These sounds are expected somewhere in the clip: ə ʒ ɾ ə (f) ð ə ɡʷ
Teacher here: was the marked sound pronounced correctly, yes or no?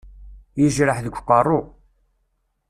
no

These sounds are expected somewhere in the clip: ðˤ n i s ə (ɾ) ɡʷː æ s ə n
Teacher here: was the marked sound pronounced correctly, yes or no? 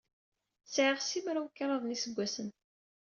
no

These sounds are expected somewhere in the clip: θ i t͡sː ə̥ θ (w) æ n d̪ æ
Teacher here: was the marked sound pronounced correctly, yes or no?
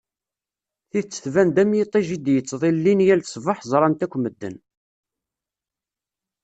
no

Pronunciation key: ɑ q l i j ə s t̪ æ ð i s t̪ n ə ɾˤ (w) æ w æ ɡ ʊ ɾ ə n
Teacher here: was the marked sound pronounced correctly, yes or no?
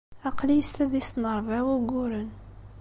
no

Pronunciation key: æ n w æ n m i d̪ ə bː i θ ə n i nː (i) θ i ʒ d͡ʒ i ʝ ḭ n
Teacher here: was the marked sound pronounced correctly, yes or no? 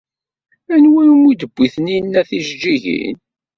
no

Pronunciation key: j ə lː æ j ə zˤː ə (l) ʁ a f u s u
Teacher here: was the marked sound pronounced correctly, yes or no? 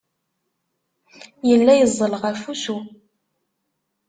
yes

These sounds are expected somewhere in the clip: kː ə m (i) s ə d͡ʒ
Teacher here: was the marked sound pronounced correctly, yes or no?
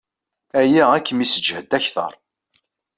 yes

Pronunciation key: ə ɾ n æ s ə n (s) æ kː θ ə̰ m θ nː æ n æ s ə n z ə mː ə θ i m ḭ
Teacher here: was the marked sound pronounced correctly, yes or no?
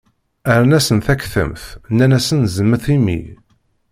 no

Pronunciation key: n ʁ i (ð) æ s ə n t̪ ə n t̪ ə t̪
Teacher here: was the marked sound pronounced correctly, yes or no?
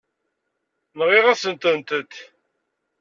no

